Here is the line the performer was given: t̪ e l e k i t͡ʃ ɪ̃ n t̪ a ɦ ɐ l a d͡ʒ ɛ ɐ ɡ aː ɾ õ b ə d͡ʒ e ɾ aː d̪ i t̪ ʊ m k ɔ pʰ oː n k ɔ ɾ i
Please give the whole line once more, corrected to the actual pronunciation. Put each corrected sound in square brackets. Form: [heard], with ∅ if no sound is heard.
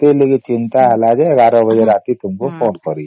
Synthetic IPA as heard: t̪ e l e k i t͡ʃ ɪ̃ n t̪ a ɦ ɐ l a d͡ʒ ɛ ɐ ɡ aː ɾ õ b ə d͡ʒ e ɾ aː [t̪] i t̪ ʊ m k [o] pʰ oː n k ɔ ɾ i